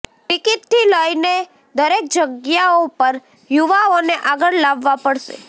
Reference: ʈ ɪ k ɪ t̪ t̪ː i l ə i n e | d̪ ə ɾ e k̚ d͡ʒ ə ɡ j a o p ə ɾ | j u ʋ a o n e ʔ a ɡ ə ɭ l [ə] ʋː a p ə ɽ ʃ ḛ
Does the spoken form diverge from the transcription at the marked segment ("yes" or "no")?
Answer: yes